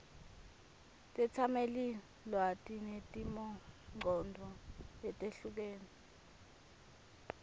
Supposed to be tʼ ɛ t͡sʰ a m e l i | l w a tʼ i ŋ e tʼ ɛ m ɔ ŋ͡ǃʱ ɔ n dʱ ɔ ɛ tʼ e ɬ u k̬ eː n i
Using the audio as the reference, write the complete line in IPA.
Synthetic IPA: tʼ ɛ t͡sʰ a m e l i | l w a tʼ i n e tʼ i m ɔ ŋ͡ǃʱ ɔ n dʱ ɔ ɛ tʼ e ɬ u k̬ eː n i